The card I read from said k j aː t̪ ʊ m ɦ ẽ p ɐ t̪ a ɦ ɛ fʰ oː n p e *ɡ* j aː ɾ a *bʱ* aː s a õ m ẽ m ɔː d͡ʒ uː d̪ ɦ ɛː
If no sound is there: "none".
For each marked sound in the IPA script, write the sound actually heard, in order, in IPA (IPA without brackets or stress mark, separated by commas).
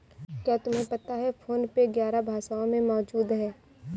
ɡ, bʱ